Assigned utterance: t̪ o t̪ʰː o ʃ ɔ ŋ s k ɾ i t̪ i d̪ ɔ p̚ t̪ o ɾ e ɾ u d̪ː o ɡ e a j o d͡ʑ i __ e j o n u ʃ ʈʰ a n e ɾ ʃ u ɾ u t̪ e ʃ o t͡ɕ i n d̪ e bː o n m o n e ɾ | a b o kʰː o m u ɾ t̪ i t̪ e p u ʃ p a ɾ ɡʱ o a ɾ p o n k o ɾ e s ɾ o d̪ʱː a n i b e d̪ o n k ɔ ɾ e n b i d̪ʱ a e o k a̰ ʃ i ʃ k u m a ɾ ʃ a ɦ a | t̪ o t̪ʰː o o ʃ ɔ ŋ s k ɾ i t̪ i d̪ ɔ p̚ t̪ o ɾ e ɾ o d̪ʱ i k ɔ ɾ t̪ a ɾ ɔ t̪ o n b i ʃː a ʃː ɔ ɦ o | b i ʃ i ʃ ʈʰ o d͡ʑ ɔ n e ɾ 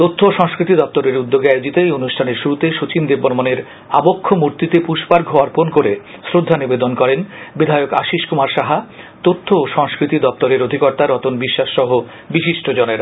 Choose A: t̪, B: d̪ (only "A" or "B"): A